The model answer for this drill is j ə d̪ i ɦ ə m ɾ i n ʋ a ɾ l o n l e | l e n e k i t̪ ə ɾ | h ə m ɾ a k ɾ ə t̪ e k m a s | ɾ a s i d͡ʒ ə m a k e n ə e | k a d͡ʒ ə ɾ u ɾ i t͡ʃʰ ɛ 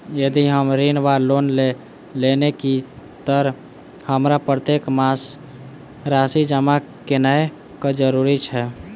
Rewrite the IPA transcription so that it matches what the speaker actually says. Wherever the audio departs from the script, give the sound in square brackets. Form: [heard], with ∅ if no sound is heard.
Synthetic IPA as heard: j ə d̪ i ɦ ə m ɾ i n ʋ a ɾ l o n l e | l e n e k i t̪ ə ɾ | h ə m ɾ a [p] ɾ ə t̪ e k m a s | ɾ a s i d͡ʒ ə m a k e n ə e | k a d͡ʒ ə ɾ u ɾ i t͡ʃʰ ɛ